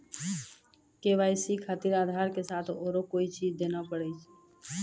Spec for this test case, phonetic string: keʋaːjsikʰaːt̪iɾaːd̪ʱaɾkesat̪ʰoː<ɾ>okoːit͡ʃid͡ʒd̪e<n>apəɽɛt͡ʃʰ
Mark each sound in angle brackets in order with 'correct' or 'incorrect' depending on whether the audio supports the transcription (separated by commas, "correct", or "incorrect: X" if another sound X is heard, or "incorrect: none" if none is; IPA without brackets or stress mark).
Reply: correct, correct